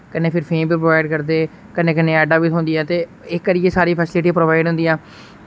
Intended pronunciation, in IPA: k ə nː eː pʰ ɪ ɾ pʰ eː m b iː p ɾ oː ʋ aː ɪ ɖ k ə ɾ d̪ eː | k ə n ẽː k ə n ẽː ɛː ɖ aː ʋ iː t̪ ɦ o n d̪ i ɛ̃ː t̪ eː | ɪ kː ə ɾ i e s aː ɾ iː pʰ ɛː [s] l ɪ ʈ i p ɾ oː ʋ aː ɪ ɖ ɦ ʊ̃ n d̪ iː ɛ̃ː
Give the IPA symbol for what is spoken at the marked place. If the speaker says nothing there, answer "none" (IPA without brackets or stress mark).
s